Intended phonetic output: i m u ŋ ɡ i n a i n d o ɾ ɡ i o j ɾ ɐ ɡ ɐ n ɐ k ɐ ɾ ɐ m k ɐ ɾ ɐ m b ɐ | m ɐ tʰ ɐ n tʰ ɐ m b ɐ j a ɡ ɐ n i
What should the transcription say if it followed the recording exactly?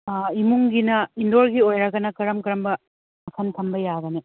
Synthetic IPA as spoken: i m u ŋ ɡ i n ɐ i n d o ɾ ɡ i o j ɾ ɐ ɡ ɐ n ɐ k ɐ ɾ ɐ m k ɐ ɾ ɐ m b ɐ | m ɐ kʰ ɐ n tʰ ɐ m b ɐ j a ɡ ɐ n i